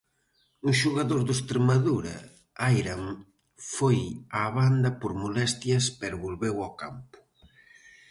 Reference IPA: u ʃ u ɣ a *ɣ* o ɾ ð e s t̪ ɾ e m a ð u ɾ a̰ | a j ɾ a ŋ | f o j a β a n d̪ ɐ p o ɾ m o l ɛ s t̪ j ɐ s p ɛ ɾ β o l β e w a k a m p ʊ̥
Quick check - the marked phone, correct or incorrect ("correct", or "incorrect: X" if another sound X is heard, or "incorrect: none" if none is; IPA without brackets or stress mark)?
incorrect: ð